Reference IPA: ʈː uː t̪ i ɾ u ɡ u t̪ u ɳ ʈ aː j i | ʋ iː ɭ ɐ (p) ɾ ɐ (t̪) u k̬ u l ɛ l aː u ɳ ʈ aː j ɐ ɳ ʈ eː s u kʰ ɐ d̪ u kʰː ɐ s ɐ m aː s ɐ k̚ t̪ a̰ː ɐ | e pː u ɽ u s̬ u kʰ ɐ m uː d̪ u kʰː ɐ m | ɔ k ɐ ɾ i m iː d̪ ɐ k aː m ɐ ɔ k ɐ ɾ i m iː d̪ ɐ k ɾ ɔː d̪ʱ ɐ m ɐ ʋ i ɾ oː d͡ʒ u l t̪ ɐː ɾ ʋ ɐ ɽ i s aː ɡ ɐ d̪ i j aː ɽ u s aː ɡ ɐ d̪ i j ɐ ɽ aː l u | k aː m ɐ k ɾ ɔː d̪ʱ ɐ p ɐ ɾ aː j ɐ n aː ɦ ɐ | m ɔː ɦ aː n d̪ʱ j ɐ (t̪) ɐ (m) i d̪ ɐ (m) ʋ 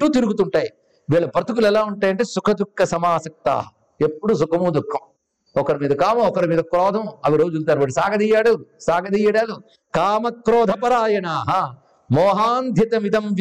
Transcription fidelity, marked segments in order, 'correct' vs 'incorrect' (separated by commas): correct, correct, correct, correct, correct